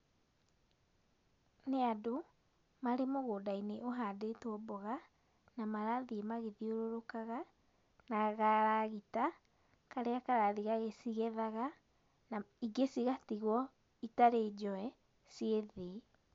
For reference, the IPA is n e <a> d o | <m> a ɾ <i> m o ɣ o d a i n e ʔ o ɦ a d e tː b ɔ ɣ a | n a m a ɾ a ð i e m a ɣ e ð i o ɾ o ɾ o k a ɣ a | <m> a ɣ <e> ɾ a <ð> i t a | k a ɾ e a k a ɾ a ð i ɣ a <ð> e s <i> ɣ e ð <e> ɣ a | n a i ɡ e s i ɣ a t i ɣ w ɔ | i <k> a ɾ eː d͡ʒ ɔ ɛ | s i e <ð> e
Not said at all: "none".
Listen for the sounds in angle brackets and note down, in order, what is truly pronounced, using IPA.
a, m, e, n, a, ɣ, ɣ, i, a, t, ð

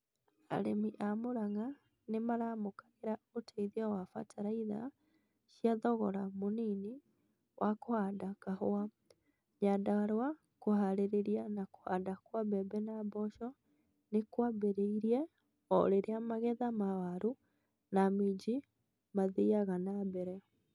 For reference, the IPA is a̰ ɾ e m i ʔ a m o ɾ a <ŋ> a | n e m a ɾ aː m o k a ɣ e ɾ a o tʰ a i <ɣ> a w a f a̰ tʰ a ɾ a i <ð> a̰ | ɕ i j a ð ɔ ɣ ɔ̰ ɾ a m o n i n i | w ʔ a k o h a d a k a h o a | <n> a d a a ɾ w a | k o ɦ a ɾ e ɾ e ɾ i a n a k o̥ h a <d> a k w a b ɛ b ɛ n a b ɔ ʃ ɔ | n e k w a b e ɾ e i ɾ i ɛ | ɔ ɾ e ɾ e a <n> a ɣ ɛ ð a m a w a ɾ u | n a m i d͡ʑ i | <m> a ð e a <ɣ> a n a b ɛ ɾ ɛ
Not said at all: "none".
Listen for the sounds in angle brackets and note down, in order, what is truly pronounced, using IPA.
ŋ, ð, ð, ɲ, d, m, m, ɣ

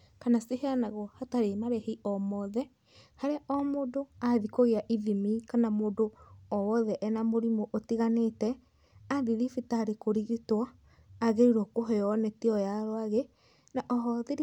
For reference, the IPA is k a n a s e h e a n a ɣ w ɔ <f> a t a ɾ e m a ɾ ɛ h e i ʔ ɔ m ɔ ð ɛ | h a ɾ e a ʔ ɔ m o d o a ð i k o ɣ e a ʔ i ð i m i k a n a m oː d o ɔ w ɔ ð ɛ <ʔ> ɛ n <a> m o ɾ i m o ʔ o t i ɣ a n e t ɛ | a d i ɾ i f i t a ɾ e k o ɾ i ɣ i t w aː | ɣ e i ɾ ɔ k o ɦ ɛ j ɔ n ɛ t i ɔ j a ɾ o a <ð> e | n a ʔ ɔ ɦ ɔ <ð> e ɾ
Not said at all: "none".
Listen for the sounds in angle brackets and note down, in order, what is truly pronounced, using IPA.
h, ʔ, a, ɣ, ð

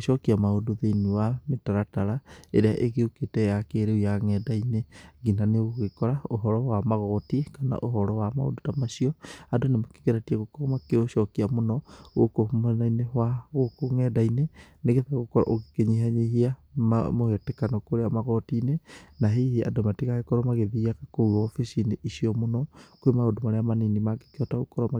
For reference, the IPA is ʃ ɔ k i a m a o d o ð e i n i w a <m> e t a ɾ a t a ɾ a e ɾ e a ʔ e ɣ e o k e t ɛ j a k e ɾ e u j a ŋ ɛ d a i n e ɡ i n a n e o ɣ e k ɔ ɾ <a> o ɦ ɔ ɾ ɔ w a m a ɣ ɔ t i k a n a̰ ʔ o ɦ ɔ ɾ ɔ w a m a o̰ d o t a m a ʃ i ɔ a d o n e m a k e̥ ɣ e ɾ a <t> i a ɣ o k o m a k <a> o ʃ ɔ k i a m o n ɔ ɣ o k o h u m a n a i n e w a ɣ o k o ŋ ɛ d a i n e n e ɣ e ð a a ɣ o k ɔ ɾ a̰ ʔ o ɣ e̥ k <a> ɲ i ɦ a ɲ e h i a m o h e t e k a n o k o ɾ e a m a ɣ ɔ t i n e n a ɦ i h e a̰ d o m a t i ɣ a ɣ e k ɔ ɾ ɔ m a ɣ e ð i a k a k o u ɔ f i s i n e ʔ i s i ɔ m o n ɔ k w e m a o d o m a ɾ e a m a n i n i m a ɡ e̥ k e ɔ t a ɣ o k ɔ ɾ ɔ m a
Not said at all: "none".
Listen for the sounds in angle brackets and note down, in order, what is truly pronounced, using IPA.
m, a, t, e, e

